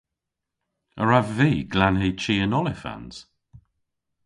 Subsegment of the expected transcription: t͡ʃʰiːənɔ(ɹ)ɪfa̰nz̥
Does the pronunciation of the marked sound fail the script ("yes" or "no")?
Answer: yes